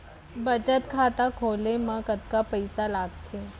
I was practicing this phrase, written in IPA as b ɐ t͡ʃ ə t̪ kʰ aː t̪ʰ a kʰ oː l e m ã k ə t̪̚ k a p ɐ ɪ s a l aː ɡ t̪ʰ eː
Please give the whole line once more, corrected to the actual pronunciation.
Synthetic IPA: b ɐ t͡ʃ ə t̪ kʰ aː t̪ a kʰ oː l e m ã k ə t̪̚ k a p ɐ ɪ s a l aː ɡ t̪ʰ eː